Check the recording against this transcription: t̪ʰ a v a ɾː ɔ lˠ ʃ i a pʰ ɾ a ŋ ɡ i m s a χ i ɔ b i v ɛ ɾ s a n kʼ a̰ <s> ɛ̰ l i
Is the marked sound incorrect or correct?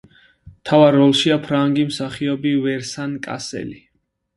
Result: correct